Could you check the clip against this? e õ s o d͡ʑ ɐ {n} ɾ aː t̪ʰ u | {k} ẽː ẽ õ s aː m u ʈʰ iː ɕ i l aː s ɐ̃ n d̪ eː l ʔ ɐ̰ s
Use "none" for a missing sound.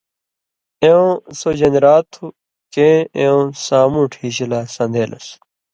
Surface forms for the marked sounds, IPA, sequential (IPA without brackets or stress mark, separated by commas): n, k